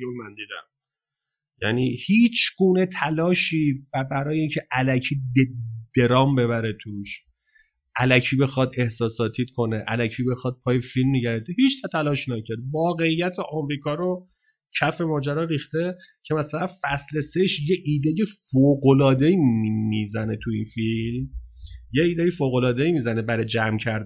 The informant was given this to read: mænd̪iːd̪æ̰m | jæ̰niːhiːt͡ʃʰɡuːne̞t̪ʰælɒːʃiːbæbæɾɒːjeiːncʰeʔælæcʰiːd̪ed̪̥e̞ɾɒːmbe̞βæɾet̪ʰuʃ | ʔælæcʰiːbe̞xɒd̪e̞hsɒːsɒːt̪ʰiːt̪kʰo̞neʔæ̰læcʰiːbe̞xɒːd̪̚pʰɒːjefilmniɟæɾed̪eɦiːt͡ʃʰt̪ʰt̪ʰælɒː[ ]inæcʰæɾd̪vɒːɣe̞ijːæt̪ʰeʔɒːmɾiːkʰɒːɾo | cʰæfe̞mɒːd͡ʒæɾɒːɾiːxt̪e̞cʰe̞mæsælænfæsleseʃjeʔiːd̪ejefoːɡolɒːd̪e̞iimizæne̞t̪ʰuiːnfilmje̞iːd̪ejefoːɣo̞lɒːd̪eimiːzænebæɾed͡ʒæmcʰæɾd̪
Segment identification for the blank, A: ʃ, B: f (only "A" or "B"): A